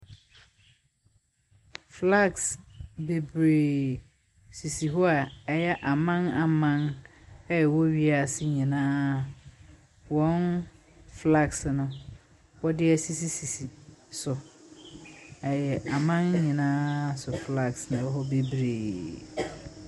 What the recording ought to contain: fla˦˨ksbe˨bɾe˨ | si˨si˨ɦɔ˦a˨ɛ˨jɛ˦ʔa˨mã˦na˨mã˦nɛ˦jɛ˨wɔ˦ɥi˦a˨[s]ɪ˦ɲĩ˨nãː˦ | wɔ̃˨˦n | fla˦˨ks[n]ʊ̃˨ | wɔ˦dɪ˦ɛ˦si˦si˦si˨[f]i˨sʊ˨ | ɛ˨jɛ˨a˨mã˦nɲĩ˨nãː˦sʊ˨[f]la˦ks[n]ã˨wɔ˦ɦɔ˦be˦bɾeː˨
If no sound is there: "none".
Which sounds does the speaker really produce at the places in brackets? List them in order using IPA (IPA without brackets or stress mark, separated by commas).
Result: s, n, s, f, n